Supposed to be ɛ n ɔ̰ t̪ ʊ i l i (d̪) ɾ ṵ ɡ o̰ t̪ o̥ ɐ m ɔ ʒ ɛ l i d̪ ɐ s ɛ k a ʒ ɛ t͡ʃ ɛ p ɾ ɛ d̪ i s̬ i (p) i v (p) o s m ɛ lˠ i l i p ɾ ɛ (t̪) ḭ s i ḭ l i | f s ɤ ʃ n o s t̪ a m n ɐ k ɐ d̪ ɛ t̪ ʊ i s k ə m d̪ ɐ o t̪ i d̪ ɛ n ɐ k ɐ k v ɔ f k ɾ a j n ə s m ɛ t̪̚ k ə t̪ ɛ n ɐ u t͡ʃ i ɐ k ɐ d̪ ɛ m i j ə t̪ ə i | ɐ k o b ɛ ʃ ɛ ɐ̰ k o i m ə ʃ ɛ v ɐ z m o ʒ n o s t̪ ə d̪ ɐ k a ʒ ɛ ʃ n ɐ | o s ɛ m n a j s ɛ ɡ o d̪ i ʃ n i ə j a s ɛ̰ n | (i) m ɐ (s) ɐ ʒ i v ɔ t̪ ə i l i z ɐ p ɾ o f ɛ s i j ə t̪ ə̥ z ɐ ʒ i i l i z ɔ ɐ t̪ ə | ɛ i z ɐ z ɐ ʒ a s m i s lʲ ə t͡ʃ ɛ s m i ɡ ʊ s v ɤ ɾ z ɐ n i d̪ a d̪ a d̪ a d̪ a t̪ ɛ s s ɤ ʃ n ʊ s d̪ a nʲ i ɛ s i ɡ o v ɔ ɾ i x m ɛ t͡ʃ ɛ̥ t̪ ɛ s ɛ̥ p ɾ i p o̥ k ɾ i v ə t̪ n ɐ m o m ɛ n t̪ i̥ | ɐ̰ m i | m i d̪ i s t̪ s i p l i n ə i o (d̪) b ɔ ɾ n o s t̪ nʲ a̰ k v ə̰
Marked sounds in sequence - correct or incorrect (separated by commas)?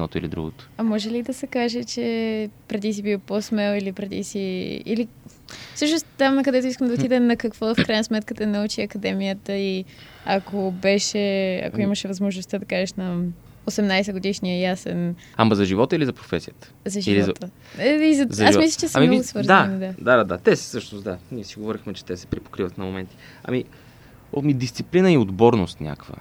correct, incorrect, correct, incorrect, incorrect, incorrect, correct